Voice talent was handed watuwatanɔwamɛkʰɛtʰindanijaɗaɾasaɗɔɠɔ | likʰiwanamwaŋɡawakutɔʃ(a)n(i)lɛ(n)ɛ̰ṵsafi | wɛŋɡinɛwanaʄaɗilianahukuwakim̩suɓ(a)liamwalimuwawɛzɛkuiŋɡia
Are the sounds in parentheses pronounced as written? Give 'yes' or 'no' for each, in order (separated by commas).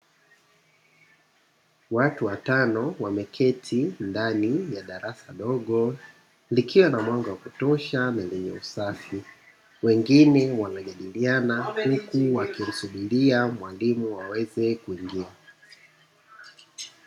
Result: yes, no, no, no